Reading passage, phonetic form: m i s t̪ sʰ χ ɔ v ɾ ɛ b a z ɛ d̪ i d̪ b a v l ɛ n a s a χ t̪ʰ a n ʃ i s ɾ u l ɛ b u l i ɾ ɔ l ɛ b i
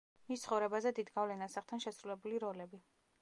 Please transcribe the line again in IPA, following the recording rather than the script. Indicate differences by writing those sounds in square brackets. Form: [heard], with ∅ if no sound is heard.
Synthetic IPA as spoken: m i s t̪ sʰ χ ɔ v ɾ ɛ b a z ɛ d̪ i d̪ [ɡ] a v l ɛ n a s a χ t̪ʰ a n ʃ [ɛ] s ɾ u l ɛ b u l i ɾ ɔ l ɛ b i